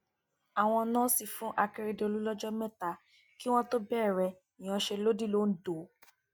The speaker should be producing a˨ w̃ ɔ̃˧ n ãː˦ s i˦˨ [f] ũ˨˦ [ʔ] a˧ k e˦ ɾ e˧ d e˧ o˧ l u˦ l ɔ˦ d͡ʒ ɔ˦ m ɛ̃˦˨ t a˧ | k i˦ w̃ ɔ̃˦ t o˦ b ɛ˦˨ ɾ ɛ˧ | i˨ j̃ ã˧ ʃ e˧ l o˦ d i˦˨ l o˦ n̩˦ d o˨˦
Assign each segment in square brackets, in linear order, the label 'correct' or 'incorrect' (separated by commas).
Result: correct, correct